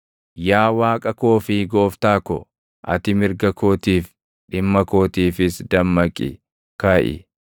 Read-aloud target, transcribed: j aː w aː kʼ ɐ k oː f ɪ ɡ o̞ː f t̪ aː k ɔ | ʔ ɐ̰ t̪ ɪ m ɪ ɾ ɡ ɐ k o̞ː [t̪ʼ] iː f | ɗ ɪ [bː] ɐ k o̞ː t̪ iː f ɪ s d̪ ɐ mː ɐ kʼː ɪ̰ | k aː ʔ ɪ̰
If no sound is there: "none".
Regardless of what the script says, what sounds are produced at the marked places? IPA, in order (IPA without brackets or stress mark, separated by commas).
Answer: t̪, mː